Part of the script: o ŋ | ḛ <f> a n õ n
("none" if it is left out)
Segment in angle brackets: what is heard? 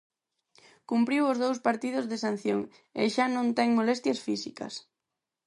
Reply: ʃ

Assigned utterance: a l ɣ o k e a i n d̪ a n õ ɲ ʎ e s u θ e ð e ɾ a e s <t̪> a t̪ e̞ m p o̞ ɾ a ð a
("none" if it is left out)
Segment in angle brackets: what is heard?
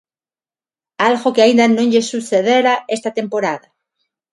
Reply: t̪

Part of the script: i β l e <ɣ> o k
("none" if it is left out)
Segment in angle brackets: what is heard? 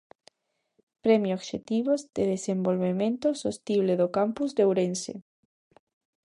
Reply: ð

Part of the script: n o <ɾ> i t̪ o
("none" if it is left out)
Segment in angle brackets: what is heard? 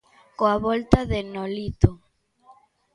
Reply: l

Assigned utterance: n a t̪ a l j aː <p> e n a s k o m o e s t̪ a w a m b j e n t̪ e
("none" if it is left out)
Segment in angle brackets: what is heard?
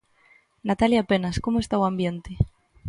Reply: p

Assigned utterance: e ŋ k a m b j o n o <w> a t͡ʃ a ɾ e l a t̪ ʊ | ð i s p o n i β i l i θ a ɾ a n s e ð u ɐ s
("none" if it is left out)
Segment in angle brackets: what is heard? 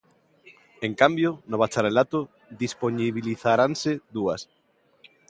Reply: β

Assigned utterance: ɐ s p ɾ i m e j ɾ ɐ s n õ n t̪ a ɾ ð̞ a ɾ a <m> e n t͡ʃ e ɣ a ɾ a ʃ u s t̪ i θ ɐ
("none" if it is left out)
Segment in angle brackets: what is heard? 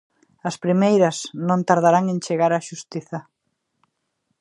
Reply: ŋ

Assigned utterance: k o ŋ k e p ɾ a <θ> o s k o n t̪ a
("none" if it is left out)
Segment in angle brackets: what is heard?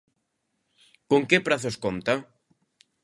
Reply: θ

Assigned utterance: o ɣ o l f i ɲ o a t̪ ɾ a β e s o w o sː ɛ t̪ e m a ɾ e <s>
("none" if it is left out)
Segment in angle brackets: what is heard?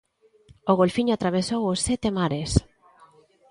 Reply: s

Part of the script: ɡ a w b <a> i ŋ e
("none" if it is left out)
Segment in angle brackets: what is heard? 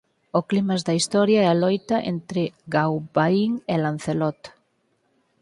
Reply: a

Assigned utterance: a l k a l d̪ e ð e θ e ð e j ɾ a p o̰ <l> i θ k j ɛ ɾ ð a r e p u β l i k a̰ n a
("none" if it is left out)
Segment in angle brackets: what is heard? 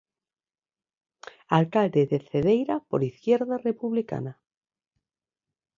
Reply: ɾ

